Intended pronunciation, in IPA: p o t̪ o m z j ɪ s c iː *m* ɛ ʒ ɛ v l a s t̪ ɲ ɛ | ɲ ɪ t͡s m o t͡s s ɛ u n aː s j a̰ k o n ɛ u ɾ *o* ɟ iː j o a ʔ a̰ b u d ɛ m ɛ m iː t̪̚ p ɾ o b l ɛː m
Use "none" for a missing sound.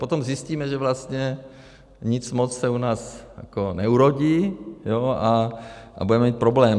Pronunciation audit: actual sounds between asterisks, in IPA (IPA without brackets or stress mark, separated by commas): m, o